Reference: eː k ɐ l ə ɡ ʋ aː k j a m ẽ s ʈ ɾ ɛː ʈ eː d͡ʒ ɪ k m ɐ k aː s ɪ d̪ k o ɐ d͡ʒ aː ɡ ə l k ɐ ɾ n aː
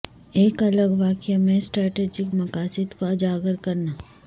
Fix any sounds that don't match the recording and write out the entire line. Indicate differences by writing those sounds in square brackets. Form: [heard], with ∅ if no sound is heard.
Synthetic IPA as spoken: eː k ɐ l ə ɡ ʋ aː k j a m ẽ s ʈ ɾ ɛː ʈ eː d͡ʒ ɪ k m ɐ k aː s ɪ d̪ k o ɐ d͡ʒ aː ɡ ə [ɾ] k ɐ ɾ n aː